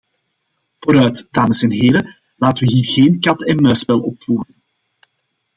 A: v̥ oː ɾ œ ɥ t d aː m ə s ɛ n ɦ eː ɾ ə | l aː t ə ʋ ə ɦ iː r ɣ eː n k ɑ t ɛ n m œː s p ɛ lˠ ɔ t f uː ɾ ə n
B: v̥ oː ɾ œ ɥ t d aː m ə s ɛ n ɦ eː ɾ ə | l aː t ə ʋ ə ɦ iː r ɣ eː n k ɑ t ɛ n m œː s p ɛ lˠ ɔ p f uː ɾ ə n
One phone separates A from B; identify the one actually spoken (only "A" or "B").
B